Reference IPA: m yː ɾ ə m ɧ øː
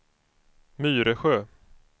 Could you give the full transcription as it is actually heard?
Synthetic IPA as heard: m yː ɾ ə ɧ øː